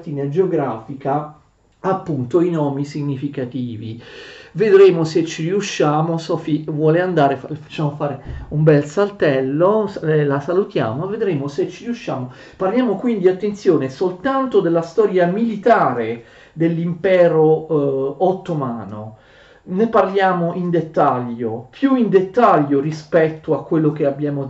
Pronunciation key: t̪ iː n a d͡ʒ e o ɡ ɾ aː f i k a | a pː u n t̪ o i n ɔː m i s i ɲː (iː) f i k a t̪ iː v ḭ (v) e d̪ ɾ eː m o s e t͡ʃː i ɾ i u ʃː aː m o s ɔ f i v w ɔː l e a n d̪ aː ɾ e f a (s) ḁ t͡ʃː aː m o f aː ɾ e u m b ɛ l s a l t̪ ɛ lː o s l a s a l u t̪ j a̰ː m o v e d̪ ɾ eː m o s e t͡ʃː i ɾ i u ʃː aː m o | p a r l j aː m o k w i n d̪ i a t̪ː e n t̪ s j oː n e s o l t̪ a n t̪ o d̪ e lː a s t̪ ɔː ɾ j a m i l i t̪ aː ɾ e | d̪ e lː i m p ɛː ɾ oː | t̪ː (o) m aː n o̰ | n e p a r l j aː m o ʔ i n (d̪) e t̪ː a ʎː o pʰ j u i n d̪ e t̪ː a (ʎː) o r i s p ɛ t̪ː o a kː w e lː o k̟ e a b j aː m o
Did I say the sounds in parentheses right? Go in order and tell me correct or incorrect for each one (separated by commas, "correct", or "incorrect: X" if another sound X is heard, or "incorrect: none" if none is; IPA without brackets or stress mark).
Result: incorrect: i, correct, incorrect: f, correct, correct, correct